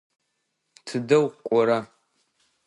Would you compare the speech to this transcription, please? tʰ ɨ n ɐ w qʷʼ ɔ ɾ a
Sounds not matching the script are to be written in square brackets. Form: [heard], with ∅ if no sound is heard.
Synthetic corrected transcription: tʰ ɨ [d] ɐ w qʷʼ ɔ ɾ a